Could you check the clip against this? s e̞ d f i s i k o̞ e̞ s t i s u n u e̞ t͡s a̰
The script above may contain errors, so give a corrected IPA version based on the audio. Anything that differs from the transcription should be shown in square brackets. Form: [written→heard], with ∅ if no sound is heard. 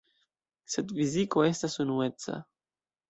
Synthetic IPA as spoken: s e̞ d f i [s→z] i k o̞ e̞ s t [i→a] s u n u e̞ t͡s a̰

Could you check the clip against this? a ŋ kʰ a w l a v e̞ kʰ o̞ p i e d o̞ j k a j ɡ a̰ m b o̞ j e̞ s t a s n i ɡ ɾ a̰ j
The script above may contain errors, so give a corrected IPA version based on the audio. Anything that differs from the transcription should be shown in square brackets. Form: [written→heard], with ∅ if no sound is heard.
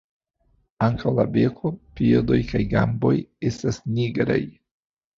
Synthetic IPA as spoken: a ŋ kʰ a w l a [v→b] e̞ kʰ o̞ p i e d o̞ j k a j ɡ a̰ m b o̞ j e̞ s t a s n i ɡ ɾ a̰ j

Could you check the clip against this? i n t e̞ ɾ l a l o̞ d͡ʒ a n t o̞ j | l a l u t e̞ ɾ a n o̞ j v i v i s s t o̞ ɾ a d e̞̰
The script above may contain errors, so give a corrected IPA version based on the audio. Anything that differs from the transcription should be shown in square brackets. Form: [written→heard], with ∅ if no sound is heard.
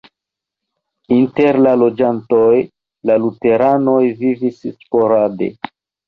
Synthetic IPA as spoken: i n t e̞ ɾ l a l o̞ d͡ʒ a n t o̞ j | l a l u t e̞ ɾ a n o̞ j v i v i s s [t→p] o̞ ɾ a d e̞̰

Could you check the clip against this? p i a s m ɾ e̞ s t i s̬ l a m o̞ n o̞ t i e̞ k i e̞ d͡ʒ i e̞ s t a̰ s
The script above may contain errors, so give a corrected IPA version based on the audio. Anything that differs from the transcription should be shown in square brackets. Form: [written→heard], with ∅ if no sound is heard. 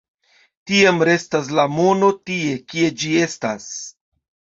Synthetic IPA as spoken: [p→t] i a [s→∅] m ɾ e̞ s t [i→a] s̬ l a m o̞ n o̞ t i e̞ k i e̞ d͡ʒ i e̞ s t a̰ s

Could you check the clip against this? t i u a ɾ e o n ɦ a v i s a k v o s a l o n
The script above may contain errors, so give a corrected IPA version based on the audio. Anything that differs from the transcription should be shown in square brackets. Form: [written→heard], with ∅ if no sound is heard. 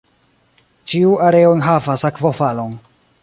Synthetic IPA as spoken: [t→t͡ʃ] i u a ɾ e o n ɦ a v [i→a] s a k v o [s→f] a l o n

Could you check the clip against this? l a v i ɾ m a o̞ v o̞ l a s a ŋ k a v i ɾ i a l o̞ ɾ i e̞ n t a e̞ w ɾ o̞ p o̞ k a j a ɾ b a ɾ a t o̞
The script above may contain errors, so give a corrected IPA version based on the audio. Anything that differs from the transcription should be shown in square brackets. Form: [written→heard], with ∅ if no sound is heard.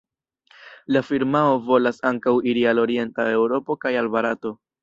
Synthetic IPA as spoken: l a [v→f] i ɾ m a o̞ v o̞ l a s a ŋ k a [v→w] i ɾ i a l o̞ ɾ i e̞ n t a e̞ w ɾ o̞ p o̞ k a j a [ɾ→l] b a ɾ a t o̞

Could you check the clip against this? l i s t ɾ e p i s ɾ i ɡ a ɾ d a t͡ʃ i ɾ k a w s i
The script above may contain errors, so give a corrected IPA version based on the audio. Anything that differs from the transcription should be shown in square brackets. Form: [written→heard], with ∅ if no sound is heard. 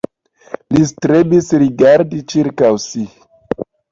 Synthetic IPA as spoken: l i s t ɾ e [p→b] i s ɾ i ɡ a ɾ d [a→i] t͡ʃ i ɾ k a w s i

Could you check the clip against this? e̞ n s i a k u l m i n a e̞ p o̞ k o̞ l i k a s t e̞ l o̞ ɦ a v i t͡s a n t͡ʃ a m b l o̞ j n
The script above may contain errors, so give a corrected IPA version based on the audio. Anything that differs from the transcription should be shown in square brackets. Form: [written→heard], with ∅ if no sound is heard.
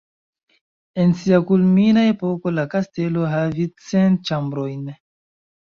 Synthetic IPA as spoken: e̞ n s i a k u l m i n a e̞ p o̞ k o̞ l [i→a] k a s t e̞ l o̞ ɦ a v i t͡s [a→e] n t͡ʃ a m b [l→ɾ] o̞ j n

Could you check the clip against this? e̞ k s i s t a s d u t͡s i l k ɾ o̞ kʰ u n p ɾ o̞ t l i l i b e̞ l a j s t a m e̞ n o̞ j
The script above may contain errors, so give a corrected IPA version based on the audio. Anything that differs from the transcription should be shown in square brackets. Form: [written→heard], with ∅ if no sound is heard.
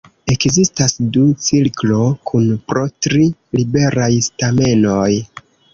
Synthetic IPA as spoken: e̞ k [s→z] i s t a s d u t͡s i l k [ɾ→l] o̞ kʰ u n p ɾ o̞ t [l→ɾ] i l i b e̞ [l→ɾ] a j s t a m e̞ n o̞ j

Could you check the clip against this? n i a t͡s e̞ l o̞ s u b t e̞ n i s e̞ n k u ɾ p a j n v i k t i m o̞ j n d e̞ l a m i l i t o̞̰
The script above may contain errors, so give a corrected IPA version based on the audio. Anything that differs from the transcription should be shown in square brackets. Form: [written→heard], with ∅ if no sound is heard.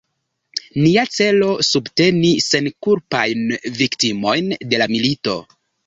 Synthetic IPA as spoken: n i a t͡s e̞ l o̞ s u b t e̞ n i s e̞ n k u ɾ p a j n v i k t i m o̞ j n d e̞ l a m i l i t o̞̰

